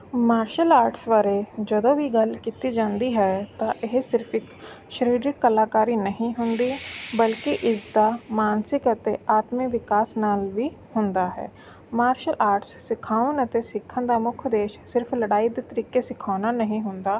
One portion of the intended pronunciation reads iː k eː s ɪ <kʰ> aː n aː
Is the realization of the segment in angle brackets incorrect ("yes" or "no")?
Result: no